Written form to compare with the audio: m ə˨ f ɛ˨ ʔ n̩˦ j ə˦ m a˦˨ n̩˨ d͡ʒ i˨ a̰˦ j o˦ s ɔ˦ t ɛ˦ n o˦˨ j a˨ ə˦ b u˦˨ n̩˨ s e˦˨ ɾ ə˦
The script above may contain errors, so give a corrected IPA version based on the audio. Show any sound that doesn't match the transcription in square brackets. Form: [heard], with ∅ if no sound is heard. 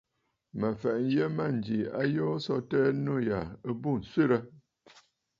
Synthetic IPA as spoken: m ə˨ f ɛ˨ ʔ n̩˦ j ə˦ m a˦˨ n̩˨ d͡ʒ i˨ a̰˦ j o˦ s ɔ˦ t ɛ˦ n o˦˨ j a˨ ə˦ b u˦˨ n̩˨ s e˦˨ ɾ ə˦